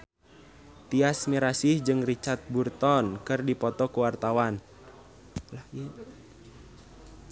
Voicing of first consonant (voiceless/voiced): voiceless